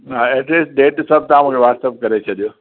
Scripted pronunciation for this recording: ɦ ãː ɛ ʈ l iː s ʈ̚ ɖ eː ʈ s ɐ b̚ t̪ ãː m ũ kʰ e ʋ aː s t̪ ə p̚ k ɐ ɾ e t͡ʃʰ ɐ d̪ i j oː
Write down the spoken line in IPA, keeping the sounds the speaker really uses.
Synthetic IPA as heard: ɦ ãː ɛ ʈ l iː s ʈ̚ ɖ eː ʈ s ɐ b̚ t̪ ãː m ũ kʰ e ʋ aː s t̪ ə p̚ k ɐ ɾ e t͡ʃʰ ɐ d̪ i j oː